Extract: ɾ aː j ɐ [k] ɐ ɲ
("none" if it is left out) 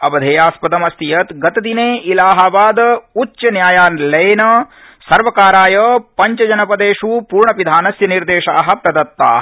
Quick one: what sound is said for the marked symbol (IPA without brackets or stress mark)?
p